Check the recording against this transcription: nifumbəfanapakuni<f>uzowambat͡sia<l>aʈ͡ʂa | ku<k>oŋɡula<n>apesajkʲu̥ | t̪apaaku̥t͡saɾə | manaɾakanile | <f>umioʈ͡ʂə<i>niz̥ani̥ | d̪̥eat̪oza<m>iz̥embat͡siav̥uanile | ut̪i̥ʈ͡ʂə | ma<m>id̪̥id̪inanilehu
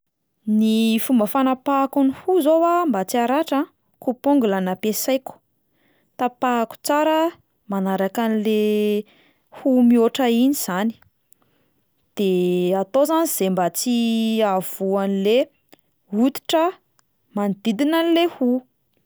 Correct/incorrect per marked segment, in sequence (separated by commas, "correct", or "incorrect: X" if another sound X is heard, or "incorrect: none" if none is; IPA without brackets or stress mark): incorrect: h, incorrect: ɾ, incorrect: p, correct, incorrect: h, correct, incorrect: n, incorrect: n